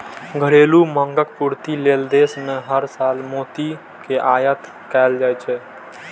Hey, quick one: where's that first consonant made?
velum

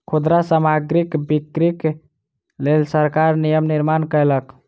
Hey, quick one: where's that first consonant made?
velum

